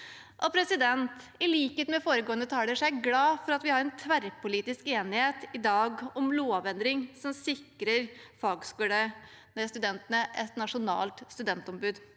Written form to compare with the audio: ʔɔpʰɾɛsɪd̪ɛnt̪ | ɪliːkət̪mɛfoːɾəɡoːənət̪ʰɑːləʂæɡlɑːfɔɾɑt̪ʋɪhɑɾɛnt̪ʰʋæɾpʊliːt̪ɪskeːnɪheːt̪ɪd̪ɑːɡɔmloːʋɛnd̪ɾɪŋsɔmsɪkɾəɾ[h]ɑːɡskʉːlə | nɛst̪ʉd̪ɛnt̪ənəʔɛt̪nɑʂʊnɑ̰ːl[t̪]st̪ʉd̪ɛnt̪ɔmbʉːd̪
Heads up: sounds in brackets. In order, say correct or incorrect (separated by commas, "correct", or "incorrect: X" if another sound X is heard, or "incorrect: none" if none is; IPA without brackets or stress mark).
incorrect: f, correct